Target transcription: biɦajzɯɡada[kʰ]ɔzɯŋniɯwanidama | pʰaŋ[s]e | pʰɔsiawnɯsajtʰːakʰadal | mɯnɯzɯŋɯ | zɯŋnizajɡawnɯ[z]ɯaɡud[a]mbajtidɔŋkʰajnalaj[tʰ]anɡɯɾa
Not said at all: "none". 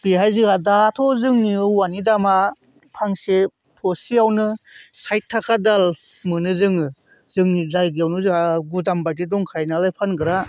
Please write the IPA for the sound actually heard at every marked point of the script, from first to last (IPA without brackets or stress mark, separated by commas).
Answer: tʰ, s, z, a, pʰ